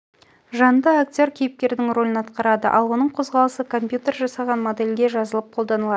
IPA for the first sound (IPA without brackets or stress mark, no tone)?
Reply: ʒ